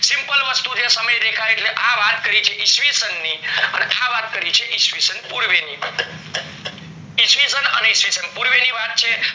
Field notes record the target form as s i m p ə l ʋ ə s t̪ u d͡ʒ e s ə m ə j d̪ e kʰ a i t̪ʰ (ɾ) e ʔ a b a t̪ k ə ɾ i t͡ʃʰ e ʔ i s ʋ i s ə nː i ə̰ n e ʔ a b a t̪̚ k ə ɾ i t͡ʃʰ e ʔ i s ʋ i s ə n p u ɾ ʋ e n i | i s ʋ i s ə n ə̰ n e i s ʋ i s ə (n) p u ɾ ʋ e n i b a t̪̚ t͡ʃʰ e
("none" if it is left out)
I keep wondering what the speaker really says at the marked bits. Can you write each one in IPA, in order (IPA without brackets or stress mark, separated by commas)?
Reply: l, n